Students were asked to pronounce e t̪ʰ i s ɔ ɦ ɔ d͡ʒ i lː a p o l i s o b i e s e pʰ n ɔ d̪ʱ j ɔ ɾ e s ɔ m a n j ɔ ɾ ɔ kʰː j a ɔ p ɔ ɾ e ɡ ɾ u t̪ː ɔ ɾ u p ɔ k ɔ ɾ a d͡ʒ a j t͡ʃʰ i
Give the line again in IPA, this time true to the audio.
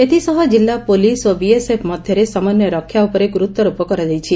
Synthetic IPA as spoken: e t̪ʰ i s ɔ ɦ ɔ d͡ʒ i lː a p o l i s o b i e s e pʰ m ɔ d̪ʱ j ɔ ɾ e s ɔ m a n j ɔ ɾ ɔ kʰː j a u p ɔ ɾ e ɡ ɾ u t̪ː ɔ ɾ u p ɔ k ɔ ɾ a d͡ʒ a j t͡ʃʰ i